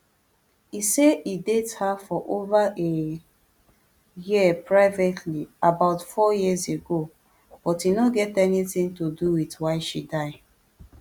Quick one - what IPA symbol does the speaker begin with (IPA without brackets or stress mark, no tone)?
i